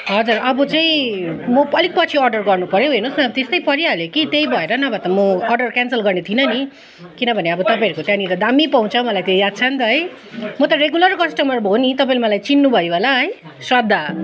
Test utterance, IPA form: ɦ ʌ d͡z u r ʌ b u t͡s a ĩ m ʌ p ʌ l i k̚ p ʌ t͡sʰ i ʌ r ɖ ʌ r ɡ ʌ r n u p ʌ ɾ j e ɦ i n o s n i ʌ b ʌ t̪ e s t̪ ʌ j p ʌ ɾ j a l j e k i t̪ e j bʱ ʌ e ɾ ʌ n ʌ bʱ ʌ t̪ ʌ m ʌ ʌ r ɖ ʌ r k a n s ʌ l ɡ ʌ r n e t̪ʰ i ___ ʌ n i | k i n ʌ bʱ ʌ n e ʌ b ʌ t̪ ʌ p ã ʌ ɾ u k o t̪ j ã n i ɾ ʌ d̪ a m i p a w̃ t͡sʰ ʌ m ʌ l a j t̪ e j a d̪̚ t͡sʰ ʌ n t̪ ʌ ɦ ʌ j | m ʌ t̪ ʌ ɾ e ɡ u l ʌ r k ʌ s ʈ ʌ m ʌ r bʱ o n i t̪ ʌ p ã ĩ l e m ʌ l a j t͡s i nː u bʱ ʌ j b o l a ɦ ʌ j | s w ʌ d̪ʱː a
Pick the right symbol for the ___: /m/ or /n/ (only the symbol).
n